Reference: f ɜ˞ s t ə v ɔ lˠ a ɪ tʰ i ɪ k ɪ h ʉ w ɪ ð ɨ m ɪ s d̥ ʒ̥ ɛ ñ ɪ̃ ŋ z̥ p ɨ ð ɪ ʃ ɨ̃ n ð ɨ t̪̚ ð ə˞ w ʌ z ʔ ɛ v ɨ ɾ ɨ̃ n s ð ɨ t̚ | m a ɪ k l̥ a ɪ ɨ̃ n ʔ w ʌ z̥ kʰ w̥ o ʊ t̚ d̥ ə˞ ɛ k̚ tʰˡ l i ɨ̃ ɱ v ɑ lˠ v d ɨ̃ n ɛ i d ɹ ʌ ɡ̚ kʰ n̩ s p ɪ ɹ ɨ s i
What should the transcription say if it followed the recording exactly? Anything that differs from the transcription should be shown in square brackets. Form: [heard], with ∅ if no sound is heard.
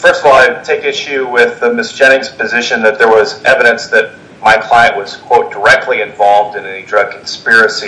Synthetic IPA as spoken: f ɜ˞ s t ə v ɔ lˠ a ɪ tʰ [e] ɪ k ɪ [ʃ] ʉ w ɪ ð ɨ m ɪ s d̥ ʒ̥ ɛ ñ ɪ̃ ŋ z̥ p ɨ [z] ɪ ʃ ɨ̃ n ð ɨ t̪̚ ð ə˞ w ʌ z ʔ ɛ v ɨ ɾ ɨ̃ n s ð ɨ t̚ | m a ɪ [kʰ] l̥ a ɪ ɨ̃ n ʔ w ʌ z̥ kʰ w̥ o ʊ t̚ d̥ ə˞ ɛ k̚ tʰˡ l i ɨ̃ ɱ v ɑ lˠ v d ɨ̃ n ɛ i d ɹ ʌ ɡ̚ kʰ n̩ s p ɪ ɹ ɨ s i